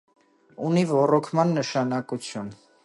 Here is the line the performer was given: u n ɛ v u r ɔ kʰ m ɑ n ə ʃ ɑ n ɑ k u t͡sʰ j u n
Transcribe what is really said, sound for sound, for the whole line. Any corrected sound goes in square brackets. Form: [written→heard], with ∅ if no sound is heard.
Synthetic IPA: u n [ɛ→i] v [u→ɔ] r ɔ kʰ m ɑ [n→nː] ə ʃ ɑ n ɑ k u t͡sʰ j u n

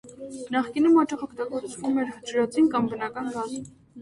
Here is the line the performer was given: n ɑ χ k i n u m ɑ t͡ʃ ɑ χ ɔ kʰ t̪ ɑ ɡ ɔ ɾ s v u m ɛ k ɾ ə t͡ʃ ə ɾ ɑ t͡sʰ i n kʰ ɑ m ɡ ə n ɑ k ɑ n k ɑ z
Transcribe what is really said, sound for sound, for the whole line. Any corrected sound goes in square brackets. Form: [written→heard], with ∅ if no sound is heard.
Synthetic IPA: n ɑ χ k i n u m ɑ t͡ʃ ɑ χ ɔ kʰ t̪ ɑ ɡ ɔ ɾ [s→t͡s] v u m ɛ [k→∅] ɾ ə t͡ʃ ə ɾ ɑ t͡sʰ i n [kʰ→k] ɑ m [ɡ→b] ə n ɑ k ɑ n [k→ɡ] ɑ z

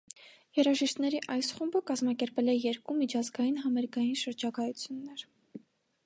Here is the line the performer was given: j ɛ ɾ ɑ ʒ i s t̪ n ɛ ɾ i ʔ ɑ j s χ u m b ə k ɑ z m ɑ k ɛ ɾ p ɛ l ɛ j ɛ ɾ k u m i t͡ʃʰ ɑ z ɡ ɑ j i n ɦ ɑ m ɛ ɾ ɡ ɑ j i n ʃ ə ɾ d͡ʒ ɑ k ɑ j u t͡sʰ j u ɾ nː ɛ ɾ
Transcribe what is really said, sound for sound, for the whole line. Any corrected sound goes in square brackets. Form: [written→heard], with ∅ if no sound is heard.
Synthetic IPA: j ɛ ɾ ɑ ʒ i [s→ʃ] t̪ n ɛ ɾ i ʔ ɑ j s χ u m b ə k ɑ z m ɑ k ɛ ɾ p ɛ l ɛ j ɛ ɾ k u m i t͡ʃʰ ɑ z ɡ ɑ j i n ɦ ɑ m ɛ ɾ ɡ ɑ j i n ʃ ə ɾ d͡ʒ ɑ k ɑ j u t͡sʰ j u [ɾ→∅] nː ɛ ɾ

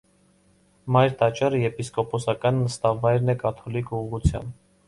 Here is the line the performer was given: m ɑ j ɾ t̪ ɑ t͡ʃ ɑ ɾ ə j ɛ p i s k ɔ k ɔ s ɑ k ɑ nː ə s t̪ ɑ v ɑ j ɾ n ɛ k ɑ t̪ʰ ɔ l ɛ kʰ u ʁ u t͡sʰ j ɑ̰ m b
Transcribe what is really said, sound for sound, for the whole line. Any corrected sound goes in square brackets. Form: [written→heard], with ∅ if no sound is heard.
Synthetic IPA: m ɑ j ɾ t̪ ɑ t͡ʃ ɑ ɾ ə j ɛ p i s k ɔ [k→p] ɔ s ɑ k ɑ nː ə s t̪ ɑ v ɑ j ɾ n ɛ k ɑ t̪ʰ ɔ l [ɛ→i] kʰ u ʁ u t͡sʰ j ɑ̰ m b

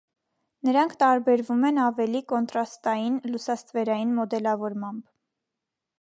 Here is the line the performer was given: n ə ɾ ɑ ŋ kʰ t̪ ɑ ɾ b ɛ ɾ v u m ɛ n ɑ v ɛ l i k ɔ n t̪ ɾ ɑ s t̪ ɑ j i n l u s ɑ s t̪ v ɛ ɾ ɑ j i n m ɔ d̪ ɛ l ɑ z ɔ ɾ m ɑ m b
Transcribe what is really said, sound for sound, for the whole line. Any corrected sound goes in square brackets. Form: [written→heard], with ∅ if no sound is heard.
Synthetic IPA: n ə ɾ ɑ ŋ kʰ t̪ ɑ ɾ b ɛ ɾ v u m ɛ n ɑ v ɛ l i k ɔ n t̪ ɾ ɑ s t̪ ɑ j i n l u s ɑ s t̪ v ɛ ɾ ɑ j i n m ɔ d̪ ɛ l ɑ [z→v] ɔ ɾ m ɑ m b

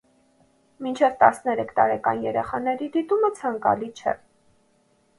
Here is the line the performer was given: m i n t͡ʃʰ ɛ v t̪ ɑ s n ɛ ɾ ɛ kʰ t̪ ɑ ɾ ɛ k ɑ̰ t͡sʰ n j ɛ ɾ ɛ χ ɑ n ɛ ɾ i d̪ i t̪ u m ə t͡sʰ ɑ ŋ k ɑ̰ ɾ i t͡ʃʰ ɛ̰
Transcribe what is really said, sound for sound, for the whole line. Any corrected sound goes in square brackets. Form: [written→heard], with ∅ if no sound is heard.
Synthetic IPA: m i n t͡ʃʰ ɛ v t̪ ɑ s n ɛ ɾ ɛ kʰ t̪ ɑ ɾ ɛ k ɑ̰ [t͡sʰ→∅] n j ɛ ɾ ɛ χ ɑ n ɛ ɾ i d̪ i t̪ u m ə t͡sʰ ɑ ŋ k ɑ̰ [ɾ→l] i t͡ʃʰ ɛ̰

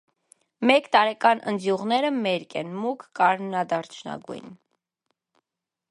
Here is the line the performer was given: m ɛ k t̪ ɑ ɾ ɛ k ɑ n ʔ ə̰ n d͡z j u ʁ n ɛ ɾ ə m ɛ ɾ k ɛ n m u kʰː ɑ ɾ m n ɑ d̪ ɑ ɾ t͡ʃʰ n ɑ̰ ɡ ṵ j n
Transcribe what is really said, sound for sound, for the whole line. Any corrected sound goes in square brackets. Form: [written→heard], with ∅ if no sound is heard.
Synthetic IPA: m ɛ k t̪ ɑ ɾ ɛ k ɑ n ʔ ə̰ n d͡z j u ʁ n ɛ ɾ ə m ɛ ɾ k ɛ n m u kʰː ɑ ɾ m n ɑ d̪ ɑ ɾ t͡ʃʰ n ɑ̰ ɡ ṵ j n

